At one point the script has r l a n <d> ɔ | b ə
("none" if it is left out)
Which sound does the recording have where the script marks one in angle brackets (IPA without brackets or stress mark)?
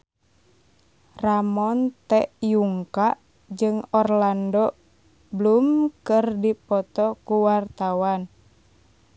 d